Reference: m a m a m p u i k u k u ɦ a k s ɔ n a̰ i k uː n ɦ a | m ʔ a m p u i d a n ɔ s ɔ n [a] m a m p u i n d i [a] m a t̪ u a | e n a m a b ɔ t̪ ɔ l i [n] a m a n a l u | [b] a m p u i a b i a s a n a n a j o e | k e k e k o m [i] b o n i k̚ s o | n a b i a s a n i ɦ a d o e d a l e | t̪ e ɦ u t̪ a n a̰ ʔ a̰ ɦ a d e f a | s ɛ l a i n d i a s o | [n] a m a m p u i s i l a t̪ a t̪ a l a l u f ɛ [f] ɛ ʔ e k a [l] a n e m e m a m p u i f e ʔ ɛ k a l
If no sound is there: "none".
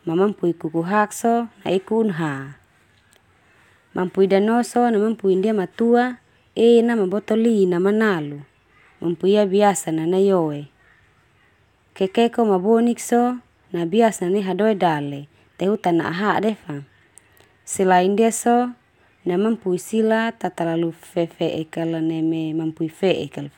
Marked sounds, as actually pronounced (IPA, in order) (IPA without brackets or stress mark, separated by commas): a, a, n, m, a, n, f, l